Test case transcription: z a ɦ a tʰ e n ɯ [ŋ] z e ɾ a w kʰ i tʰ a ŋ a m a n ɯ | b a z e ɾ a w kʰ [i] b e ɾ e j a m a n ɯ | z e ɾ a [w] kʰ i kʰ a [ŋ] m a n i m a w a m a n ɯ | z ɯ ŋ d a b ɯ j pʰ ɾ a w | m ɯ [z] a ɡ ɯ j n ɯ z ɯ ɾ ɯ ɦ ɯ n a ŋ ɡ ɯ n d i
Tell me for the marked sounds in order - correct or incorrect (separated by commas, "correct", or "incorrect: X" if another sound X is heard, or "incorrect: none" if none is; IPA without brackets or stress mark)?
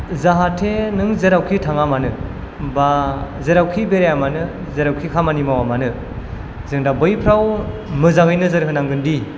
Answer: correct, correct, correct, incorrect: none, correct